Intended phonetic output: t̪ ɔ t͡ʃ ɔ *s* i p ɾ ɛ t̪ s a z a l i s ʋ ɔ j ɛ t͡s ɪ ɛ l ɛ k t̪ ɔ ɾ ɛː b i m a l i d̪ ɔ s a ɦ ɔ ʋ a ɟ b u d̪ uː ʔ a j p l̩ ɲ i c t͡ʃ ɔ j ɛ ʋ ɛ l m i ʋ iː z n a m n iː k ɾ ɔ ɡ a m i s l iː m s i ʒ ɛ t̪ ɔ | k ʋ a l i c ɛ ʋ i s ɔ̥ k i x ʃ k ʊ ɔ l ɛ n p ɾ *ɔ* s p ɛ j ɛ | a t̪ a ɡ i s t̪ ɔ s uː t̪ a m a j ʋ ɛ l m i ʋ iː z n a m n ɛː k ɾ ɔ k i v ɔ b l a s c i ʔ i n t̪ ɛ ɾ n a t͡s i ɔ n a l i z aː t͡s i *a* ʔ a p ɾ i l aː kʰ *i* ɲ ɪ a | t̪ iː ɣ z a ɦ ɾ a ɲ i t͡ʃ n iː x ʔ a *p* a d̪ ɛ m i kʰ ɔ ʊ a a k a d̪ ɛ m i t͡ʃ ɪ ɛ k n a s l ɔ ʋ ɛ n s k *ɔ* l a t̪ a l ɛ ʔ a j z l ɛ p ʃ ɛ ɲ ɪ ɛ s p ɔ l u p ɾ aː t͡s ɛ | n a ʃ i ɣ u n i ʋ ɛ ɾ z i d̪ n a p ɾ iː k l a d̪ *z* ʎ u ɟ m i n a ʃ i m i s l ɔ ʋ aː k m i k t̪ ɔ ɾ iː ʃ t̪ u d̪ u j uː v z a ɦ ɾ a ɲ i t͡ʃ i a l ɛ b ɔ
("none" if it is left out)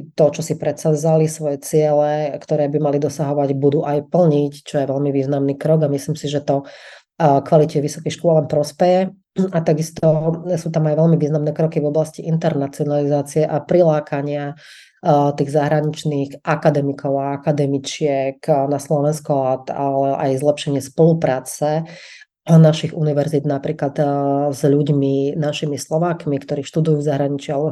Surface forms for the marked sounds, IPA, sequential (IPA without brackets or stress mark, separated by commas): s, ɔ, ɛ, a, k, ɔ, z